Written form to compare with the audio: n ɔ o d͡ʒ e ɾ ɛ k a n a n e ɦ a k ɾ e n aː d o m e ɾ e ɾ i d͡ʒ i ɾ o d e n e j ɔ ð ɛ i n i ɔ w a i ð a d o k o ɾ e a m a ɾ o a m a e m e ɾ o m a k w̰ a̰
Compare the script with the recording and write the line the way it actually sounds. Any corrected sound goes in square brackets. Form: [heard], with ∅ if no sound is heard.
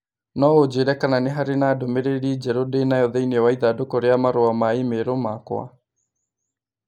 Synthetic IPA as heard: n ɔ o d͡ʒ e ɾ ɛ k a n a n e ɦ a [∅] ɾ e n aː d o m e ɾ e ɾ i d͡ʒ [ɛ] ɾ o d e n [a] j ɔ ð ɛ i n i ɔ w a i ð a d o k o ɾ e a m a ɾ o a m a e m e ɾ o m a k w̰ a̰